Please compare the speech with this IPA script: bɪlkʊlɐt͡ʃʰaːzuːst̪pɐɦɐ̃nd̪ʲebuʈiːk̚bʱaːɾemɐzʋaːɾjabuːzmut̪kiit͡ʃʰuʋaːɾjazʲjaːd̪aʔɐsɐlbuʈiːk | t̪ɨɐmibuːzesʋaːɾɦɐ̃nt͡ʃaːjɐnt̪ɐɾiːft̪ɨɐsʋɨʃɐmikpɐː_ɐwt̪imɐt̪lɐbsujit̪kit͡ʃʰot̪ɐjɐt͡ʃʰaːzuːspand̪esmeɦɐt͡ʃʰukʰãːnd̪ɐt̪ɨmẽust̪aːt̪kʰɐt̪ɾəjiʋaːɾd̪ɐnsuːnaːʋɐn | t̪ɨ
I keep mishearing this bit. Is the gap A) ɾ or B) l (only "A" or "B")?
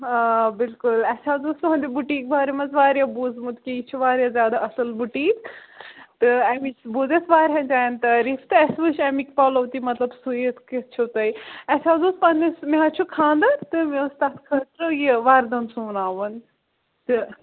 B